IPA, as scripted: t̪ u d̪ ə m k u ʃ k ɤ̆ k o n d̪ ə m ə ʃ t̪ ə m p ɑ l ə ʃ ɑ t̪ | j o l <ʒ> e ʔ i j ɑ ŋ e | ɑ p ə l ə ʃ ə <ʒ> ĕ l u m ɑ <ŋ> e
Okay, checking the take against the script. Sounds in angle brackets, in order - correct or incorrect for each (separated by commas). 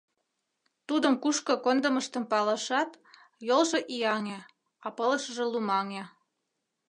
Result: correct, correct, correct